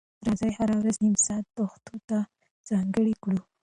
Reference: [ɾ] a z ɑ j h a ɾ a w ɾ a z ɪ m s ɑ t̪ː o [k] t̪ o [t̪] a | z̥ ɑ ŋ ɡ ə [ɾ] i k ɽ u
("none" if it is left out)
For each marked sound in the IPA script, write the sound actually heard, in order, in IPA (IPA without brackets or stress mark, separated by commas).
ɾ, x, t̪, ɽ